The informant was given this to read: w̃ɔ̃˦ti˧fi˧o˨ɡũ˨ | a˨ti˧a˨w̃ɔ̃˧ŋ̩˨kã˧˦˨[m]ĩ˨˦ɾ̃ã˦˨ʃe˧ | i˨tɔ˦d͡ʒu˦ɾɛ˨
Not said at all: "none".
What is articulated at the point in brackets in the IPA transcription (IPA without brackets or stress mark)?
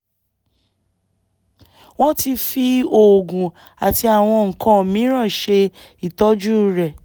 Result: m